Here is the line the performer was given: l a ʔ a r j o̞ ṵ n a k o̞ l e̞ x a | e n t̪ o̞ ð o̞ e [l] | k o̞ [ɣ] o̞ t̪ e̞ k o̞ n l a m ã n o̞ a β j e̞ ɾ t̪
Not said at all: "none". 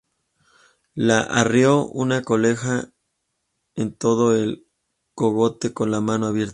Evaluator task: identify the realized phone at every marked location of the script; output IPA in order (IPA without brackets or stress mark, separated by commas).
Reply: l, ɣ